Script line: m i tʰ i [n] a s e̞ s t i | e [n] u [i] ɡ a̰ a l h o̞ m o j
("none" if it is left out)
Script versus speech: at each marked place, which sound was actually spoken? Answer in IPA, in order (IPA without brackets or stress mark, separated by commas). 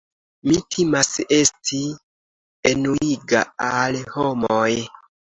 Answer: m, n, i